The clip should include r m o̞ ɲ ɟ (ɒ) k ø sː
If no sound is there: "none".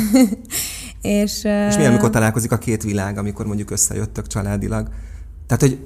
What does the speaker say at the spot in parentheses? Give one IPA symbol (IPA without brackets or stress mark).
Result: u